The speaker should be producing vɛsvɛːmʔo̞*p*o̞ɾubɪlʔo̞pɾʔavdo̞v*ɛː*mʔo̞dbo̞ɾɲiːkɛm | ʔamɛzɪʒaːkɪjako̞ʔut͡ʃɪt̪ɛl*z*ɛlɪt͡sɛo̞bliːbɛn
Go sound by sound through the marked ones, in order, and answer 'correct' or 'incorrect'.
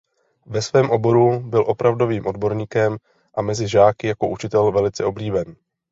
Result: incorrect: b, incorrect: iː, incorrect: v

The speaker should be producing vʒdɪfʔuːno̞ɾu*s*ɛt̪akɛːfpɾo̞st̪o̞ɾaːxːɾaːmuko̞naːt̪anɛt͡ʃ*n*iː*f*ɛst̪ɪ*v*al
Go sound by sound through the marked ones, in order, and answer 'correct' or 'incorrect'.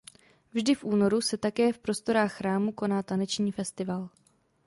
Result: correct, incorrect: ɲ, correct, correct

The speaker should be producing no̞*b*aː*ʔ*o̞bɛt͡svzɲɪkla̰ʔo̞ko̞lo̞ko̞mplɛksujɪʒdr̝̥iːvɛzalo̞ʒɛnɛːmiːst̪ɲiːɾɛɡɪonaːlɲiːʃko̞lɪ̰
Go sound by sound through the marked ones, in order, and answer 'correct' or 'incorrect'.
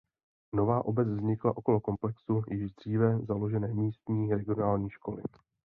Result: incorrect: v, correct

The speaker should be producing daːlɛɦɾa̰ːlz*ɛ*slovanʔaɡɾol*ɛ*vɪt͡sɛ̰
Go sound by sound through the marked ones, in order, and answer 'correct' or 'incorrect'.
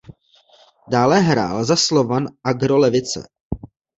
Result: incorrect: a, correct

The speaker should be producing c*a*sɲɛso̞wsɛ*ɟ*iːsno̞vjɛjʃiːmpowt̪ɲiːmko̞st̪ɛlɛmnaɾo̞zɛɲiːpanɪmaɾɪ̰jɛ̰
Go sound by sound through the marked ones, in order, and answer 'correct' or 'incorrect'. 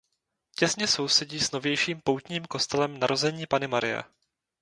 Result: incorrect: ɛ, correct

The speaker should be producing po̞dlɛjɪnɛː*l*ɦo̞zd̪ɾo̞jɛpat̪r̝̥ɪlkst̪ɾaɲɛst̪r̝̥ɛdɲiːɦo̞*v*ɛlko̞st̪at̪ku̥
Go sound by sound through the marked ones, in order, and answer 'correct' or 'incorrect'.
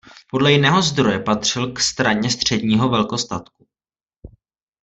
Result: incorrect: none, correct

